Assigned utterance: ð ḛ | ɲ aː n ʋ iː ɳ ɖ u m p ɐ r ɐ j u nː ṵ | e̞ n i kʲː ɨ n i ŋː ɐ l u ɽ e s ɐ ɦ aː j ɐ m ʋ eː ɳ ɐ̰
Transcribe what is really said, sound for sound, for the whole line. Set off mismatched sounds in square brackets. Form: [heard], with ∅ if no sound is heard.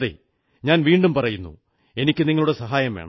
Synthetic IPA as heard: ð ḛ | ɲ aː n ʋ iː ɳ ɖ u m p ɐ r ɐ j u nː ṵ | e̞ n i kʲː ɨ n i ŋː ɐ [ɭ] u ɽ e s ɐ ɦ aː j ɐ m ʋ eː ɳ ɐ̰